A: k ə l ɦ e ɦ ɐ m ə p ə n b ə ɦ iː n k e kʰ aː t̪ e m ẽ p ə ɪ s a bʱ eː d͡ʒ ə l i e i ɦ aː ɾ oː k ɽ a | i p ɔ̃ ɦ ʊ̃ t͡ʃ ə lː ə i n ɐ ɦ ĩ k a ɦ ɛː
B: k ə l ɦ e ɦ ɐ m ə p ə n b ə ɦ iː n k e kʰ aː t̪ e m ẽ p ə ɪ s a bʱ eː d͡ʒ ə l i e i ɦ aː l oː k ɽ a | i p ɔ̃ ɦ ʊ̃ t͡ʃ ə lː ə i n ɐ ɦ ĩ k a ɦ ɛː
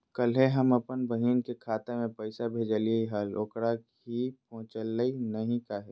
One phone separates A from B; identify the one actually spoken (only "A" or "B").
B